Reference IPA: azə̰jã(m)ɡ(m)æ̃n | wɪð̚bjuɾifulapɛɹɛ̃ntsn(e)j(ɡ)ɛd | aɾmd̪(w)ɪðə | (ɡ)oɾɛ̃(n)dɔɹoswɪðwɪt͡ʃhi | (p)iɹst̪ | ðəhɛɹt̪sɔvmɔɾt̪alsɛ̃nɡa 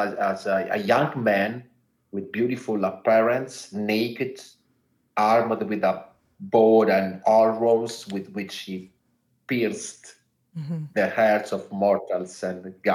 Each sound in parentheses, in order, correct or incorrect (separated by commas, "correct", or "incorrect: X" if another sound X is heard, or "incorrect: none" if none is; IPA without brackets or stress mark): incorrect: ŋ, correct, correct, incorrect: k, correct, incorrect: b, correct, correct